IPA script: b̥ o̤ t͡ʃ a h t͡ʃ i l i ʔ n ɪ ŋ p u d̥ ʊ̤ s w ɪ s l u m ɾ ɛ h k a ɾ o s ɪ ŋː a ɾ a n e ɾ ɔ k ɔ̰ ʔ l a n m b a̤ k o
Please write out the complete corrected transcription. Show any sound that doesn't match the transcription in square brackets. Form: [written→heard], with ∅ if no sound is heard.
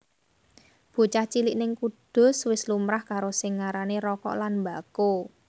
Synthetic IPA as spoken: b̥ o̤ t͡ʃ a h t͡ʃ i l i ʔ n ɪ ŋ [p→k] u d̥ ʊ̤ s w ɪ s l u m ɾ [ɛ→a] h k a ɾ o s ɪ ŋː a ɾ a n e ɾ ɔ k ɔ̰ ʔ l a n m b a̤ k o